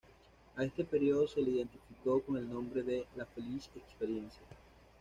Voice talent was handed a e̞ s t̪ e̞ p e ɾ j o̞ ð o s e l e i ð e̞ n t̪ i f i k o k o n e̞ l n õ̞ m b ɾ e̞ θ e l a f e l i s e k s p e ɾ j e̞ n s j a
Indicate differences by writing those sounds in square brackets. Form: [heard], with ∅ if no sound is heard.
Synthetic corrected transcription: a e̞ s t̪ e̞ p e ɾ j o̞ ð o s e l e i ð e̞ n t̪ i f i k o k o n e̞ l n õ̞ m b ɾ e̞ [ð] e l a f e l i s e k s p e ɾ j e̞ n s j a